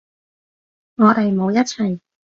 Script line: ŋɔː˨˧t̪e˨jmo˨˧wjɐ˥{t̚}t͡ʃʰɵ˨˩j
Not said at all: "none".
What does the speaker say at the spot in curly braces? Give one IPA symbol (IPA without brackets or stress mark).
t̚